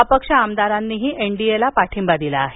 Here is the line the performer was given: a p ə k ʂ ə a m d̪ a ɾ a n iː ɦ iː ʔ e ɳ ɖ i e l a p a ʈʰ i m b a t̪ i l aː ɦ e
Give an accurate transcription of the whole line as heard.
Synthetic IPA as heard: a p ə k ʂ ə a m d̪ a ɾ a nː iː ɦ iː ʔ e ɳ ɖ i e l a p a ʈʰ i m b a d̪ i l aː ɦ e